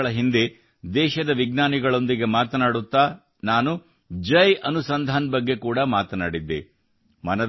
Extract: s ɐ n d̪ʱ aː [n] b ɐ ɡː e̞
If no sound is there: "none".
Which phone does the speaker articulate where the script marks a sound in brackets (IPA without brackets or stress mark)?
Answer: n